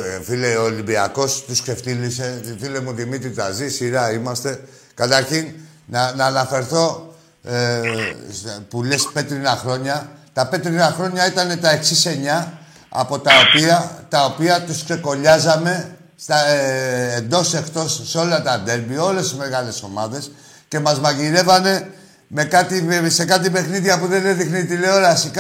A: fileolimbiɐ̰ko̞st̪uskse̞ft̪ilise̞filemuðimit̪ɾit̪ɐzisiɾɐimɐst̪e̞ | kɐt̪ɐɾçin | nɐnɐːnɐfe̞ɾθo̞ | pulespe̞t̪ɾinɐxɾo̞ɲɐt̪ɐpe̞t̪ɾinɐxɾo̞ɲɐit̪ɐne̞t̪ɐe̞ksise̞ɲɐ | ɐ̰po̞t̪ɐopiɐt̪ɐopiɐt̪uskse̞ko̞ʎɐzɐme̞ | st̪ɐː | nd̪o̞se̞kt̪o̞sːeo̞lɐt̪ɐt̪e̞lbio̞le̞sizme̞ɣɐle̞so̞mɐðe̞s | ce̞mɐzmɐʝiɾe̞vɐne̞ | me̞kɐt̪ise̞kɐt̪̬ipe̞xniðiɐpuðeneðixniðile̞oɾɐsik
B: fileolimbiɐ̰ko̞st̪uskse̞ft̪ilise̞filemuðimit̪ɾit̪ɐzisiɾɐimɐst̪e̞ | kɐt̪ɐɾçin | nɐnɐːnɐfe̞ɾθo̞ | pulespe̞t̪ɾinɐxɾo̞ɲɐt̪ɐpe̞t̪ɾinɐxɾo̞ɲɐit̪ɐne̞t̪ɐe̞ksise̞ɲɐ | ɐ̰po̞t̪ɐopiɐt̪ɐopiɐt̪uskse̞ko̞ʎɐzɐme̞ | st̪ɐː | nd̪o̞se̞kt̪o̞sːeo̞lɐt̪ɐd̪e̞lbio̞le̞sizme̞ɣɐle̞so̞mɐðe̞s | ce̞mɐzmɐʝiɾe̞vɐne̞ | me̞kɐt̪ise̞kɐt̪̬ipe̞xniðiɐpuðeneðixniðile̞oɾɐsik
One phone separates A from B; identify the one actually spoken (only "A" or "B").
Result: B